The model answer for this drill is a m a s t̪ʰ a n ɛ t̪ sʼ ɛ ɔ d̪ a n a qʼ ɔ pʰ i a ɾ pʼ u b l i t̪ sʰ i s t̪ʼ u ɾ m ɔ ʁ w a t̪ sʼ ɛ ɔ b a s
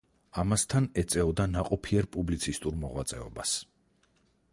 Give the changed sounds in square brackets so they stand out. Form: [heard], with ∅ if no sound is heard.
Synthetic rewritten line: a m a s t̪ʰ a n ɛ t̪ sʼ ɛ ɔ d̪ a n a qʼ ɔ pʰ i [ɛ] ɾ pʼ u b l i t̪ sʰ i s t̪ʼ u ɾ m ɔ ʁ w a t̪ sʼ ɛ ɔ b a s